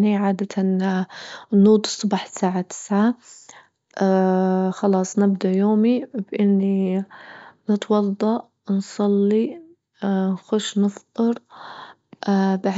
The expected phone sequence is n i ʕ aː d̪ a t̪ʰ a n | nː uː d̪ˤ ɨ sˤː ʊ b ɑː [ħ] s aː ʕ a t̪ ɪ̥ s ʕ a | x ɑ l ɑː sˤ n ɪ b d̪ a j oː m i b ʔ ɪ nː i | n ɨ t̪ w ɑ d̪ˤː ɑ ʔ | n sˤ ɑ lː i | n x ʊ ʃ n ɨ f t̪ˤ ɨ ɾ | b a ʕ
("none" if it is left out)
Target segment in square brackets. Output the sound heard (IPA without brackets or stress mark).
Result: ħ